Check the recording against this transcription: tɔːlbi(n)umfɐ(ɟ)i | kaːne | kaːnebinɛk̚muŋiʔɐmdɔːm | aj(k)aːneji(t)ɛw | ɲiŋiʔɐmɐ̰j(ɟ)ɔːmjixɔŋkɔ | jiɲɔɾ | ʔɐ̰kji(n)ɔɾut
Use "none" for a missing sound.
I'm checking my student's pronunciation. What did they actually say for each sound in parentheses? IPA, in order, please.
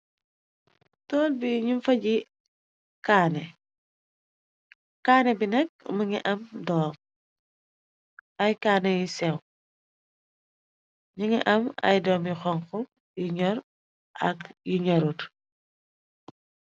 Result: ɲ, ɟ, k, s, d, ɲ

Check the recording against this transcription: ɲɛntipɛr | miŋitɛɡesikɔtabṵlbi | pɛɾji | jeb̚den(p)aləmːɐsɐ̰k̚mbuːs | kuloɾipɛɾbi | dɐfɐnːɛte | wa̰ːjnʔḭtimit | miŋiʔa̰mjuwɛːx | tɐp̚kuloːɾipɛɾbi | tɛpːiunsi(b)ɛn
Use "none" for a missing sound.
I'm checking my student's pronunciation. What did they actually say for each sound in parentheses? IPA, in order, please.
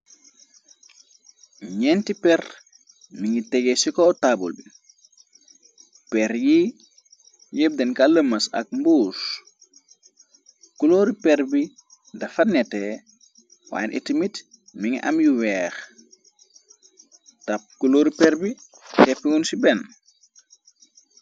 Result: k, b

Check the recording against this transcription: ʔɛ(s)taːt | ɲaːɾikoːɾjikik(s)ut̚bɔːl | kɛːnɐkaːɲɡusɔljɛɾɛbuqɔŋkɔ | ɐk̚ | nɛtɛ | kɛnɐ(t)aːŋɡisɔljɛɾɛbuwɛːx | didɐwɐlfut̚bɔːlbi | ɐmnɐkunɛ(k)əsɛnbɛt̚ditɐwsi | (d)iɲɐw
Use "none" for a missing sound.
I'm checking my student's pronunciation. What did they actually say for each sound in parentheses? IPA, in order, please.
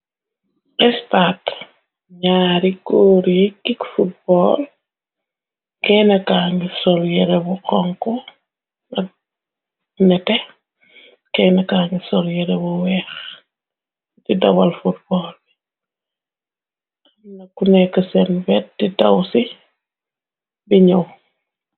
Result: s, f, k, k, b

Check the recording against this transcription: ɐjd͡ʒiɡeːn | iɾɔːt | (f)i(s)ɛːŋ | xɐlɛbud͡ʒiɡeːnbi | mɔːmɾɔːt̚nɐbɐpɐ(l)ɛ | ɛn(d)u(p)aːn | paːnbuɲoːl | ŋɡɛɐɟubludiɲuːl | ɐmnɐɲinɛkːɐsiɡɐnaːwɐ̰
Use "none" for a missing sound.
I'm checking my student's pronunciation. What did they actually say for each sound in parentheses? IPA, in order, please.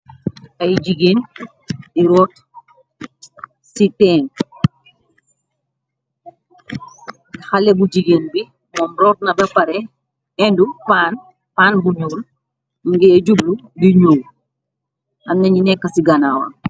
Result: s, t, ɾ, d, p

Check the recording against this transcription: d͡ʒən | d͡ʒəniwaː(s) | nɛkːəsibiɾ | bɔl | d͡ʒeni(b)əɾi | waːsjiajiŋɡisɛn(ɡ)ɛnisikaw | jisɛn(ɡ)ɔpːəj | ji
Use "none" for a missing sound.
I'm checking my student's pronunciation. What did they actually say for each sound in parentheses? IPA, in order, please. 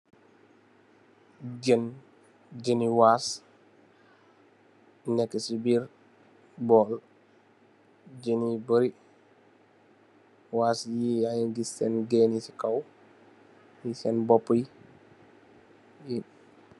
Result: s, b, ɡ, b

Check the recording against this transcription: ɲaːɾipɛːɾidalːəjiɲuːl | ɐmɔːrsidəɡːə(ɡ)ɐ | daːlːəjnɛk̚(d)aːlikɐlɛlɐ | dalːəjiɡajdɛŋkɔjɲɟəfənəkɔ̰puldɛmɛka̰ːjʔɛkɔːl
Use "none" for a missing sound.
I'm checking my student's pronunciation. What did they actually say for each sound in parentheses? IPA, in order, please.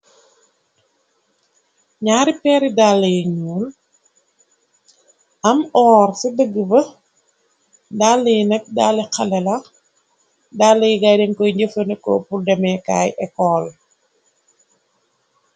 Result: b, d

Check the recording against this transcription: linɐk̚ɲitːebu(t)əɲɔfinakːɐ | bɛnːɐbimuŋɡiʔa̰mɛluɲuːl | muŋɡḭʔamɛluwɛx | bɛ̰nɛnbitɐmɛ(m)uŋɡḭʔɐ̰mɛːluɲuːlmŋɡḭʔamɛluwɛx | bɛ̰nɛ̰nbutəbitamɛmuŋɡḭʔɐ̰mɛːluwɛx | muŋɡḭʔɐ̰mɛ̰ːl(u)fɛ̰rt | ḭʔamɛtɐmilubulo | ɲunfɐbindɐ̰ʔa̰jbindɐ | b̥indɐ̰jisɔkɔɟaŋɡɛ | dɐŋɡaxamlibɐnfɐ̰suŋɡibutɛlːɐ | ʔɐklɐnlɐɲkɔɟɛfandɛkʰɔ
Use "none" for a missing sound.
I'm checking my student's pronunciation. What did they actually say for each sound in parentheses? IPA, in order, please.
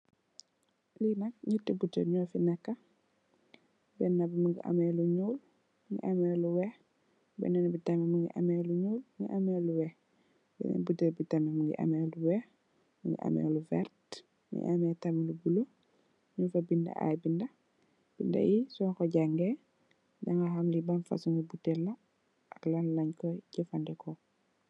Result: t, m, u

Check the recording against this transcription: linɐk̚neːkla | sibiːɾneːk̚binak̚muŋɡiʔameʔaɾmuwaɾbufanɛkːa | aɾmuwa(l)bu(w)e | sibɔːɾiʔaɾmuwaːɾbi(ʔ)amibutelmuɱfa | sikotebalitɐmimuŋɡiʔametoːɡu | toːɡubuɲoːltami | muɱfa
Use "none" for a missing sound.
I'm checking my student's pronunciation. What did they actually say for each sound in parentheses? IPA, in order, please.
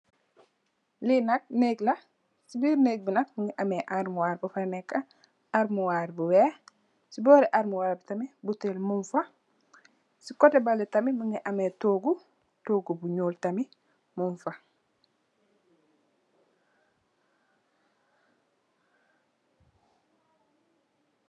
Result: ɾ, w, t

